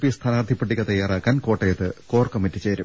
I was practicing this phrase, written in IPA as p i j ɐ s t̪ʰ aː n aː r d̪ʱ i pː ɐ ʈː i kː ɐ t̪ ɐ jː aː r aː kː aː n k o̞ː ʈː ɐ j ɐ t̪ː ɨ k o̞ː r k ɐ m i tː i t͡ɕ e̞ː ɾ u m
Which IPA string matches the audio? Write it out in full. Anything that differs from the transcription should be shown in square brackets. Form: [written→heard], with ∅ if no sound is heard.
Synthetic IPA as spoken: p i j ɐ s t̪ʰ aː n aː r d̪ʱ i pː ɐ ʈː i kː ɐ t̪ ɐ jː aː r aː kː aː n k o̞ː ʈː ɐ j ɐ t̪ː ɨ k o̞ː r k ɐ m i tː i t͡ɕ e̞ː ɾ u m

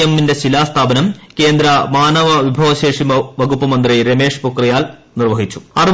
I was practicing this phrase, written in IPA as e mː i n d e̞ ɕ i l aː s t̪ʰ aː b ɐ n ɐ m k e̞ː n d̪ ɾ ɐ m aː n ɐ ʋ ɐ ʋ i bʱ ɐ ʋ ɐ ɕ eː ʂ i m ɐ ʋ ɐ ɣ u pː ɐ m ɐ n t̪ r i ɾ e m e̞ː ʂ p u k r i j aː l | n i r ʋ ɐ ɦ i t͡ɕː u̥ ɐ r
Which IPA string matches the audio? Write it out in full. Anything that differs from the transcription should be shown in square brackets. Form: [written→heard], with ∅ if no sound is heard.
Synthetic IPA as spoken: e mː i n d e̞ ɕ i l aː s t̪ʰ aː b ɐ n ɐ m k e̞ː n d̪ ɾ ɐ m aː n ɐ ʋ ɐ ʋ i bʱ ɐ ʋ ɐ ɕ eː ʂ i m ɐ ʋ ɐ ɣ u pː ɐ m ɐ n [t̪→d̪] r i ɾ e m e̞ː ʂ p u k r i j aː l | n i r ʋ ɐ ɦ i t͡ɕː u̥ ɐ r

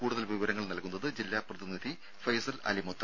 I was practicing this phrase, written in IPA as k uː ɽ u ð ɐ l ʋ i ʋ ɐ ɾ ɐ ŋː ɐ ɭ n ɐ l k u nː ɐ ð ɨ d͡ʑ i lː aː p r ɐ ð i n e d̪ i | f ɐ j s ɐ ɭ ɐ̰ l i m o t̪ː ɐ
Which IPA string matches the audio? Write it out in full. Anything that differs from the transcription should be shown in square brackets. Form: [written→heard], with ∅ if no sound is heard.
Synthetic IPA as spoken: k uː ɽ u ð ɐ l ʋ i ʋ ɐ ɾ ɐ ŋː ɐ ɭ n ɐ l k u nː ɐ ð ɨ d͡ʑ i lː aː p r ɐ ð i n [e→i] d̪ i | f ɐ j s ɐ [ɭ→l] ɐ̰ l i m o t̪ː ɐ

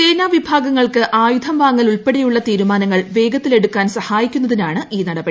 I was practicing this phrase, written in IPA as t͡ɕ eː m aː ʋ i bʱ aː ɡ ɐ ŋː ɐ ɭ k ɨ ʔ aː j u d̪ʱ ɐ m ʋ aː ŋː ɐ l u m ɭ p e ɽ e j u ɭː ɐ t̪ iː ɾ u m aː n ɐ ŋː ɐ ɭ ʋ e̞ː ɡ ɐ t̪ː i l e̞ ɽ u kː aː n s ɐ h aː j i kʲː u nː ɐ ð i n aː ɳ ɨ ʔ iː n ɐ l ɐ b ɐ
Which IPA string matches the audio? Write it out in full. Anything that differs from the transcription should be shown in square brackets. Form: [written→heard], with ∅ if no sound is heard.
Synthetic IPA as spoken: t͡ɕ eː [m→n] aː ʋ i bʱ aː ɡ ɐ ŋː ɐ ɭ k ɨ ʔ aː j u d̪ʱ ɐ m ʋ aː ŋː ɐ l u [m→∅] ɭ p e ɽ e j u ɭː ɐ t̪ iː ɾ u m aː n ɐ ŋː ɐ ɭ ʋ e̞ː ɡ ɐ t̪ː i l e̞ ɽ u kː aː n s ɐ h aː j i kʲː u nː ɐ ð i n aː ɳ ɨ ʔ iː n ɐ [l→ɽ] ɐ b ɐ

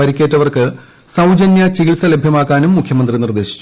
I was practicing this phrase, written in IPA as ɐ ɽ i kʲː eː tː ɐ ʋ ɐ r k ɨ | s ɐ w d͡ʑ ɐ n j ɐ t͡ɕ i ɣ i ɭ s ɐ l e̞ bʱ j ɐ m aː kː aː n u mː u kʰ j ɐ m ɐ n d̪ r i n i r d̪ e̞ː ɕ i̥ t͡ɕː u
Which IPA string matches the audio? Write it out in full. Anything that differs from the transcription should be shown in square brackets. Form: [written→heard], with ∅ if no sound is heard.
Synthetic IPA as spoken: ɐ [ɽ→ɾ] i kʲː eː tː ɐ ʋ ɐ r k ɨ | s ɐ w d͡ʑ ɐ n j ɐ t͡ɕ i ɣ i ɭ s ɐ l e̞ bʱ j ɐ m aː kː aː n u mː u kʰ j ɐ m ɐ n d̪ r i n i r d̪ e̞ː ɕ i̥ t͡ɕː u

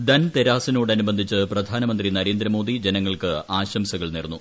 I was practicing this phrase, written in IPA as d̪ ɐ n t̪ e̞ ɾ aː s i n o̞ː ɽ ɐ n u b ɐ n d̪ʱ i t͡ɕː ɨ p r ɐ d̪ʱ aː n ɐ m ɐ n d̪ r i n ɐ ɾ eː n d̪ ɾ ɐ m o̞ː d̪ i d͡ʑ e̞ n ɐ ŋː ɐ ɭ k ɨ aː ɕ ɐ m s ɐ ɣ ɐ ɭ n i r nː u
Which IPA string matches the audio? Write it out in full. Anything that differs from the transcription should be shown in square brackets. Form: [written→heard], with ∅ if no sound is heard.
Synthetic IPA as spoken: d̪ ɐ n t̪ e̞ ɾ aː s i n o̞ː ɽ ɐ n u b ɐ n d̪ʱ i t͡ɕː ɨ p r ɐ d̪ʱ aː n ɐ m ɐ n d̪ r i n ɐ ɾ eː n d̪ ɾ ɐ m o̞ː d̪ i d͡ʑ e̞ n ɐ ŋː ɐ ɭ k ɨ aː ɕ ɐ m s ɐ ɣ ɐ ɭ n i r nː u

